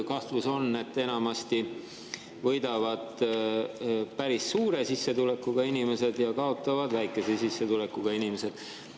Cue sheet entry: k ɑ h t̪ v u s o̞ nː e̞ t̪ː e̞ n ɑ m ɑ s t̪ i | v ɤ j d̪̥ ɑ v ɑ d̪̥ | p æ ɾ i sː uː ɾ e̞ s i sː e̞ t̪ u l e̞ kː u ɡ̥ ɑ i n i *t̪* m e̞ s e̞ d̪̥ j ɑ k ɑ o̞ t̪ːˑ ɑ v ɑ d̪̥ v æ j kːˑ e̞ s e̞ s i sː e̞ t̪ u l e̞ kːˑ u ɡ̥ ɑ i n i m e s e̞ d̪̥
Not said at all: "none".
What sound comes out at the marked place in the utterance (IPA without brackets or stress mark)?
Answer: none